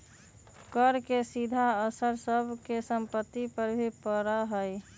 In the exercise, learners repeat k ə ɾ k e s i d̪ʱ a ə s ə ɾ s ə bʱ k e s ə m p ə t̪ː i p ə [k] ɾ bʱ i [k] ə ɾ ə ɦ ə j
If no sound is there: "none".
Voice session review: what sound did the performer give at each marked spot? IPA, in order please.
none, p

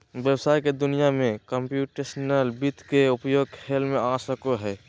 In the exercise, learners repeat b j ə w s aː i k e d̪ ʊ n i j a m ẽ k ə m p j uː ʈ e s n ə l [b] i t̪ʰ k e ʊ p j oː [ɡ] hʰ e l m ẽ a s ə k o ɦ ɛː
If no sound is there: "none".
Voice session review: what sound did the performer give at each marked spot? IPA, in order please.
b, ɡ

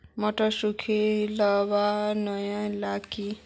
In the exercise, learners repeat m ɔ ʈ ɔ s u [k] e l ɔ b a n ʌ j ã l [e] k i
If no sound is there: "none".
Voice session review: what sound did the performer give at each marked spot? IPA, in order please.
kʰ, a

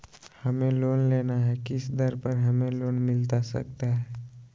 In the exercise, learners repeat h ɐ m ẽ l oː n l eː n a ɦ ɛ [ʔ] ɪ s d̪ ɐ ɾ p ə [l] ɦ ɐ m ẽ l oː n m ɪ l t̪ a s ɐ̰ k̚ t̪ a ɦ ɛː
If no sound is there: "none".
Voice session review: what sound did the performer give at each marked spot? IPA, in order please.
k, ɾ

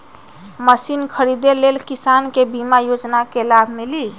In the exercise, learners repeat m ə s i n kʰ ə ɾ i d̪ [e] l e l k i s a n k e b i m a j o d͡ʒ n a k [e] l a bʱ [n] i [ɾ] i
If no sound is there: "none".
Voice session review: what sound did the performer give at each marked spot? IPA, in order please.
e, e, m, l

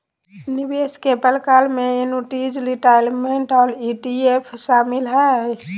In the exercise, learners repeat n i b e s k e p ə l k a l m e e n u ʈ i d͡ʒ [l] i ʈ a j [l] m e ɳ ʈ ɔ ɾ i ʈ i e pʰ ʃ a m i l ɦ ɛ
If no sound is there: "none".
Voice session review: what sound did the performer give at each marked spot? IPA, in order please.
l, l

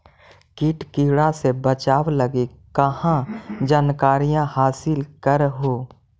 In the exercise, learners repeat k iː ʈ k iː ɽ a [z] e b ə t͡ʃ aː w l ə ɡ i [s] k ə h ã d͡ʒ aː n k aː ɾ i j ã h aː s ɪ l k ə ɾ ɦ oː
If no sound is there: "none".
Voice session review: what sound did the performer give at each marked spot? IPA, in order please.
s, none

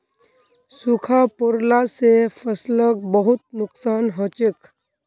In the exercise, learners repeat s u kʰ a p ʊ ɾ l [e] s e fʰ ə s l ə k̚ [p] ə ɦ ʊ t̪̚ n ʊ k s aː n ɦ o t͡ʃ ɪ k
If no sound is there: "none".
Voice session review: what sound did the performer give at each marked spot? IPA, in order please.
a, b

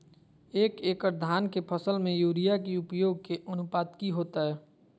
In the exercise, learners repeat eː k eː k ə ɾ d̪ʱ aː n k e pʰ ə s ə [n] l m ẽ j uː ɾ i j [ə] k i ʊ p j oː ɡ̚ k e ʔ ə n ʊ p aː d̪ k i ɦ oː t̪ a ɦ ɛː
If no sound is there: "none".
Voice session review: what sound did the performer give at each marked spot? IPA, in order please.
none, a

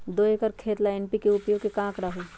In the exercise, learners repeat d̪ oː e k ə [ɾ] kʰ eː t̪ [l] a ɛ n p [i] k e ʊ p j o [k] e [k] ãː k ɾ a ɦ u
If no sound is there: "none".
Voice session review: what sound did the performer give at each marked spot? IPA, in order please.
ɾ, l, i, k, k

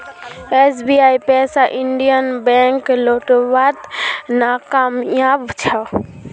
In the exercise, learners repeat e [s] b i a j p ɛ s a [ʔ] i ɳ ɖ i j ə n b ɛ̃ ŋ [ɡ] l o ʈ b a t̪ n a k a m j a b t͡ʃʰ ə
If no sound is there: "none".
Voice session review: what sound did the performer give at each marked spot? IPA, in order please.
s, ʔ, k

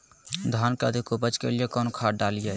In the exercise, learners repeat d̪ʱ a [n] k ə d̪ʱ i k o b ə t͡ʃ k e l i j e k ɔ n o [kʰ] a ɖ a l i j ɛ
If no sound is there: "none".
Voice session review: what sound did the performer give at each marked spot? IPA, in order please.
n, kʰ

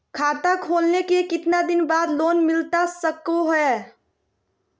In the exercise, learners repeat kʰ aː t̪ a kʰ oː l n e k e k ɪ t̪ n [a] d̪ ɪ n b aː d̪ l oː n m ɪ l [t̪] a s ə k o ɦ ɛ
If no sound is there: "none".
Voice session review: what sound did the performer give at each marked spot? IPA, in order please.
a, t̪

